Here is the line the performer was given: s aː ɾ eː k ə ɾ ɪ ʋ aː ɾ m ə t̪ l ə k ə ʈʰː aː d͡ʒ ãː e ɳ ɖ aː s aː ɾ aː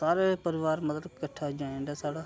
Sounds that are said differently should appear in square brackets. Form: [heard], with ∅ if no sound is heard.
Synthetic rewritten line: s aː ɾ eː [p] ə ɾ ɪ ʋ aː ɾ m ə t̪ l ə k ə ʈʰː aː d͡ʒ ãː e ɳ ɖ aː s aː [ɽ] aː